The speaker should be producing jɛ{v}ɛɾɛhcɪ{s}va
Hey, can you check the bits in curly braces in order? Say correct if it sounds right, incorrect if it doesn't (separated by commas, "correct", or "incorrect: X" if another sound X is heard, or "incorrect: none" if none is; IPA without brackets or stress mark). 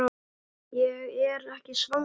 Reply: incorrect: ɣ, correct